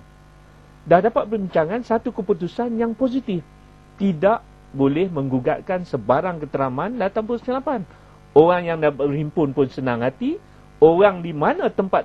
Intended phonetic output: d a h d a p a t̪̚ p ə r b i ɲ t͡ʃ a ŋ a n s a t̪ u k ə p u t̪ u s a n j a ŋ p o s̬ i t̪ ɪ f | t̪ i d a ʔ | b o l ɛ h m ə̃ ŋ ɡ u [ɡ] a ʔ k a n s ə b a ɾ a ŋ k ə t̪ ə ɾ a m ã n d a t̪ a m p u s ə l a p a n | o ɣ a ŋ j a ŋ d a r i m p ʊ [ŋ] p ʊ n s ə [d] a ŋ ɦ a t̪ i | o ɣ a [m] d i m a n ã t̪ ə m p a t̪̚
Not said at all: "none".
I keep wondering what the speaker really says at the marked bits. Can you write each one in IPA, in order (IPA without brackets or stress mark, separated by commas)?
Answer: ɡ, n, n, ŋ